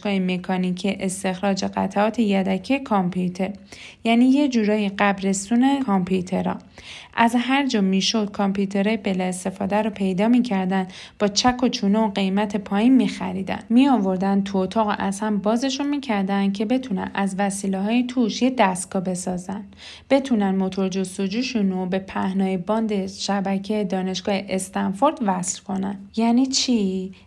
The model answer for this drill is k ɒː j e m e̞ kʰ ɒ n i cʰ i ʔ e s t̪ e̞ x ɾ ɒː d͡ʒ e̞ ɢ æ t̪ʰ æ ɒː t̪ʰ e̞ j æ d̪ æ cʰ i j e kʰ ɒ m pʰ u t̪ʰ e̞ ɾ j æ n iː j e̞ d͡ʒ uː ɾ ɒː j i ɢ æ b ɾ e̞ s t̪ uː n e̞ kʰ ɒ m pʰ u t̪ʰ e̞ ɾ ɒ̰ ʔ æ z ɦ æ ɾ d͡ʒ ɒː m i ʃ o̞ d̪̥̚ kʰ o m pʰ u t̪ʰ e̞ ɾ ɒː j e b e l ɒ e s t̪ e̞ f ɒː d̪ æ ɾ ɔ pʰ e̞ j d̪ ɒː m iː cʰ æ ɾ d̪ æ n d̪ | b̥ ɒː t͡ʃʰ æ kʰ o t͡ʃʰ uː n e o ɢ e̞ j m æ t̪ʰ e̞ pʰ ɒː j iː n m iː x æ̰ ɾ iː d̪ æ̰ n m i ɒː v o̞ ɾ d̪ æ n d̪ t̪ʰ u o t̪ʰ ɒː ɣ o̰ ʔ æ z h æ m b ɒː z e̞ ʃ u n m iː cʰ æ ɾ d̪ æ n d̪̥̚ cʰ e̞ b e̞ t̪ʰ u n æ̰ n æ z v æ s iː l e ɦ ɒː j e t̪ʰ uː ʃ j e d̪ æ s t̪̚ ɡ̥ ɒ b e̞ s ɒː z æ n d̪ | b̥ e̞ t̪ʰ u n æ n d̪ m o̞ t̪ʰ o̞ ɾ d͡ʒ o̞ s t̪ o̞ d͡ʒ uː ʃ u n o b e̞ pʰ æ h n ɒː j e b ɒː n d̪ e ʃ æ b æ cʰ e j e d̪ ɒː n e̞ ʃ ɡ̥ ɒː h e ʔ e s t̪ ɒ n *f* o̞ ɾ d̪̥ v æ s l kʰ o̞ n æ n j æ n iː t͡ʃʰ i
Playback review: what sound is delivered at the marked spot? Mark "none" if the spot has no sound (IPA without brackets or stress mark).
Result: f